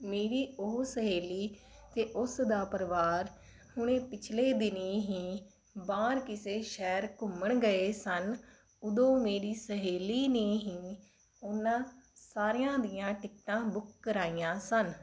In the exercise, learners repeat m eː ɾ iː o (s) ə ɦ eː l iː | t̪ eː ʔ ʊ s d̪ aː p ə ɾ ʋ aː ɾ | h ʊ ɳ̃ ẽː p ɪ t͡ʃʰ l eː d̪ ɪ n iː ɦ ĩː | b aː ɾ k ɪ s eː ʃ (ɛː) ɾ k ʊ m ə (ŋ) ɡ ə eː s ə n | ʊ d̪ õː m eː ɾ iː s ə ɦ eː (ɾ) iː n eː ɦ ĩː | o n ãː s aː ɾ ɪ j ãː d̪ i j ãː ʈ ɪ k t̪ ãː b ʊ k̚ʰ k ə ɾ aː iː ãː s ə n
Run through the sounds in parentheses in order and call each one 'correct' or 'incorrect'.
correct, correct, incorrect: ɳ, incorrect: l

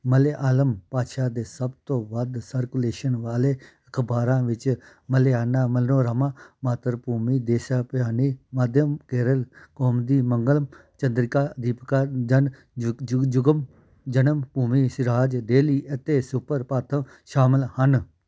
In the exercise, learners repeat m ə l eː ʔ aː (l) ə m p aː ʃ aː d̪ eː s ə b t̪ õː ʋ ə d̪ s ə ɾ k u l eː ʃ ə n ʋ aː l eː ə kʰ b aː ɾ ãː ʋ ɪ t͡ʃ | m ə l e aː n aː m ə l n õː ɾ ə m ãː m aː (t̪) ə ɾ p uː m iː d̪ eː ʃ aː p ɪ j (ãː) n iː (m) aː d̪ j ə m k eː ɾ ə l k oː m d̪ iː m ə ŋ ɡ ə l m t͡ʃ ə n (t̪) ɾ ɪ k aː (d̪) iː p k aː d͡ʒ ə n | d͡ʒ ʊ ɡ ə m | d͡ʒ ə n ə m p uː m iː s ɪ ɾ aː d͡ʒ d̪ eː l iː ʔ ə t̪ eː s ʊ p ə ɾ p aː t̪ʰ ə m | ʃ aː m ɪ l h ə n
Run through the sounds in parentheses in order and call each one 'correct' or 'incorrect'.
correct, correct, incorrect: aː, correct, incorrect: d̪, correct

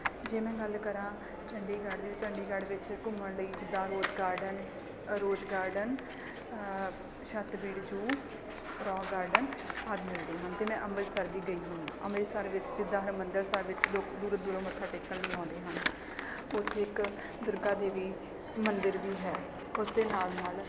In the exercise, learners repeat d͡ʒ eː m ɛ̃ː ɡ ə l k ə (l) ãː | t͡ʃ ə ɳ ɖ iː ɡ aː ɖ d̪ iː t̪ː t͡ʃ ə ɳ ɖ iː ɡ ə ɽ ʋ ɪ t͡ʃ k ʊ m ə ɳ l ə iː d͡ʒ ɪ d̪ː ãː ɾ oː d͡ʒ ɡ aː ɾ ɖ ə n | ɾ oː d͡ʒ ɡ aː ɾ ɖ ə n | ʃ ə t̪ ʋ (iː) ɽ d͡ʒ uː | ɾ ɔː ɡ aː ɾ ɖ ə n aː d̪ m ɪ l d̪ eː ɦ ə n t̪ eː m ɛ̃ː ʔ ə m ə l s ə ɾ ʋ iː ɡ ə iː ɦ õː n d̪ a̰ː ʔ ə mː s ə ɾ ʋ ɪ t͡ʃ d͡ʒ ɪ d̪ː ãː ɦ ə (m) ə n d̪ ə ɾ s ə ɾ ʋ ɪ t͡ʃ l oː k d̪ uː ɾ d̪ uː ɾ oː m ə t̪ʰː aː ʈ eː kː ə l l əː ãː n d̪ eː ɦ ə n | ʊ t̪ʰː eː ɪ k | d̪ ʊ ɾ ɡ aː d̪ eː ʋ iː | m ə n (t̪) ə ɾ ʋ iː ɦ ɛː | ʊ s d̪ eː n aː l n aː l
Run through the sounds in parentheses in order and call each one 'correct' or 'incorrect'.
incorrect: ɾ, correct, correct, incorrect: d̪

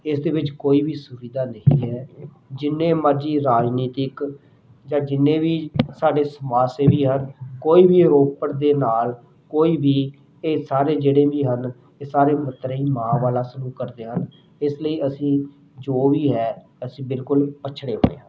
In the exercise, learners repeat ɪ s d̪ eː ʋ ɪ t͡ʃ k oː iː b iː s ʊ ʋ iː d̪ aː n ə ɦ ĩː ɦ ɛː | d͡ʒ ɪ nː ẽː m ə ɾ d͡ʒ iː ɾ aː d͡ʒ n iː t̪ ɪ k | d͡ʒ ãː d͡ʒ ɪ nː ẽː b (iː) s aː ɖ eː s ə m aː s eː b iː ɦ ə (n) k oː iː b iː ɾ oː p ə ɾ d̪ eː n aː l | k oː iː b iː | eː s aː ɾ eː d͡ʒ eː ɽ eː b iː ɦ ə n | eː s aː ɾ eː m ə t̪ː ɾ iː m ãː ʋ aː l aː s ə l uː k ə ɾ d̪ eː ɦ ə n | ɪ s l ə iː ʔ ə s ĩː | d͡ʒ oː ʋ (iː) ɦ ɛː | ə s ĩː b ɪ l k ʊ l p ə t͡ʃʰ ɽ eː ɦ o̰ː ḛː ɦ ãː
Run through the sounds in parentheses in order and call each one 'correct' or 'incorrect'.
correct, correct, correct

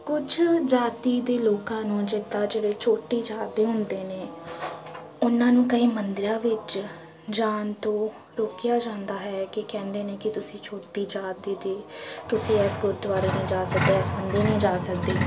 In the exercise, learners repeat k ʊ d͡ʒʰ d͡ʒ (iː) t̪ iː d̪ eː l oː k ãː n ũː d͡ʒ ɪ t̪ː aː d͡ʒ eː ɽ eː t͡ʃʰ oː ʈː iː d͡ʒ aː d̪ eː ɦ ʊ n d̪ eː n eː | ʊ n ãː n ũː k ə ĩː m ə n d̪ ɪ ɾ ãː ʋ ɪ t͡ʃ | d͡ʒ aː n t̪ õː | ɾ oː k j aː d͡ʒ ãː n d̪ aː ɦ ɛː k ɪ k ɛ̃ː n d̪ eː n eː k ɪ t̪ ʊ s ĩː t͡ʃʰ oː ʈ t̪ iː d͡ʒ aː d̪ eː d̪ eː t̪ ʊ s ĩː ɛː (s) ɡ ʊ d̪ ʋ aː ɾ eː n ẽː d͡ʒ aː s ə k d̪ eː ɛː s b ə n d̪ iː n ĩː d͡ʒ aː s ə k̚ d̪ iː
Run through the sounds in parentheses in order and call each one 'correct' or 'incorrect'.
incorrect: aː, correct

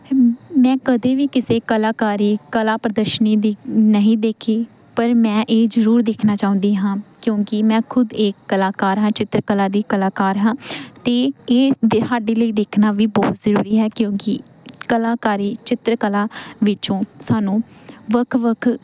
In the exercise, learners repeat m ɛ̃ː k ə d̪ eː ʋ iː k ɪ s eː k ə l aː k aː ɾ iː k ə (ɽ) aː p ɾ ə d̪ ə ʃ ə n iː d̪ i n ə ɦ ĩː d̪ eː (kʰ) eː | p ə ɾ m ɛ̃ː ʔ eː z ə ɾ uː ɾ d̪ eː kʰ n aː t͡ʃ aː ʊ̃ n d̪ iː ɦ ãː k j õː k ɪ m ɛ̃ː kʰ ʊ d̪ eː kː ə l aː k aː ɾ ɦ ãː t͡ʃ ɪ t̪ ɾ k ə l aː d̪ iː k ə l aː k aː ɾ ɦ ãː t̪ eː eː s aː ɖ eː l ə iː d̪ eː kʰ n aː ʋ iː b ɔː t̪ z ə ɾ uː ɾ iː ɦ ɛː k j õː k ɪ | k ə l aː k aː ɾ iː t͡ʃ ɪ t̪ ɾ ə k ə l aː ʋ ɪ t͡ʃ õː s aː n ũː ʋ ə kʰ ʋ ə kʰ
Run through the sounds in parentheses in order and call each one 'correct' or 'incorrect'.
incorrect: l, correct

